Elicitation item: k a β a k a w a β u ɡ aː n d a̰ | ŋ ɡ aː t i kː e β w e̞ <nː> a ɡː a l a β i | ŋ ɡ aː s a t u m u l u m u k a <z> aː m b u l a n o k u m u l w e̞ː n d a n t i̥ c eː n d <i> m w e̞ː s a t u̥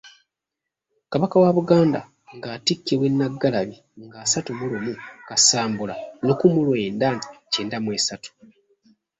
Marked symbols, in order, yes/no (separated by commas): yes, no, no